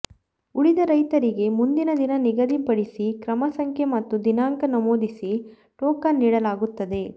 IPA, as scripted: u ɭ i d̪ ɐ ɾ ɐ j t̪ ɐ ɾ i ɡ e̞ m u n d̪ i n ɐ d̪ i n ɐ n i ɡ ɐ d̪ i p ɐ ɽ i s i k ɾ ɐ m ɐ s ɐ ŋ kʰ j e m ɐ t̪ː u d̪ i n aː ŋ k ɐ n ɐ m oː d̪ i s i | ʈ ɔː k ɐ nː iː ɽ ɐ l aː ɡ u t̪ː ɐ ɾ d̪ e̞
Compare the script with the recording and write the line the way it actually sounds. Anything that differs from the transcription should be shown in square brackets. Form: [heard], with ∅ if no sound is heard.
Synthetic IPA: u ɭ i d̪ ɐ ɾ ɐ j t̪ ɐ ɾ i ɡ e̞ m u n d̪ i n ɐ d̪ i n ɐ n i ɡ ɐ d̪ i p ɐ ɽ i s i k ɾ ɐ m ɐ s ɐ ŋ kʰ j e m ɐ t̪ː u d̪ i n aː ŋ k ɐ n ɐ m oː d̪ i s i | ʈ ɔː k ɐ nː iː ɽ ɐ l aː ɡ u t̪ː ɐ [∅] d̪ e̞